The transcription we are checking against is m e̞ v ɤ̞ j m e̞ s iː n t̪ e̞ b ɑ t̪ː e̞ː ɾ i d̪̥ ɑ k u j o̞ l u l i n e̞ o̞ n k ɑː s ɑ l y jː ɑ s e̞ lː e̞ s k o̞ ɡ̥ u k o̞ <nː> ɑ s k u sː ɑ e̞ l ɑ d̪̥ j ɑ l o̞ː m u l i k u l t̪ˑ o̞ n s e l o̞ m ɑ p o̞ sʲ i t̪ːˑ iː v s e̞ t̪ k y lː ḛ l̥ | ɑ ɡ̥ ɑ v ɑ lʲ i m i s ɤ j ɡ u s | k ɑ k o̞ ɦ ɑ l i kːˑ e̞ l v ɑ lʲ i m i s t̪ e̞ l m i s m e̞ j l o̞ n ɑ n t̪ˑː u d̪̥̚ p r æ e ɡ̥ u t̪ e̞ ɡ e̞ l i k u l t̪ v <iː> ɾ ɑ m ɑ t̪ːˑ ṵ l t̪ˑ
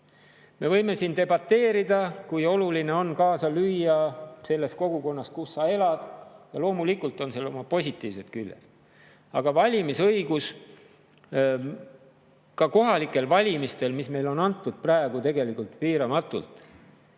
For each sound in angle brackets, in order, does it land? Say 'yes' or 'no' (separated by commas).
yes, yes